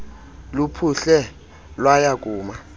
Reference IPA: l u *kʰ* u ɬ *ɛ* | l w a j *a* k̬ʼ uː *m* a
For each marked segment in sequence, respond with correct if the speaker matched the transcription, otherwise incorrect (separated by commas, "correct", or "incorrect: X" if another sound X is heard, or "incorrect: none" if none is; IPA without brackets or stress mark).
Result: incorrect: pʰ, correct, correct, correct